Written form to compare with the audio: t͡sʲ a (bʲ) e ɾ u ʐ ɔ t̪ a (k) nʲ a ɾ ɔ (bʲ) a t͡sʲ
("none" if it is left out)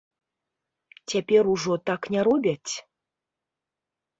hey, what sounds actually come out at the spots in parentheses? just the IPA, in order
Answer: pʲ, k, bʲ

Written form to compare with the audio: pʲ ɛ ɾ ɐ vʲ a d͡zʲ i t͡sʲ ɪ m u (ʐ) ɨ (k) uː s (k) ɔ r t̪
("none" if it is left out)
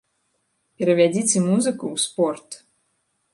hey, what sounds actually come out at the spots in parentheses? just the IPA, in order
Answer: z, k, p

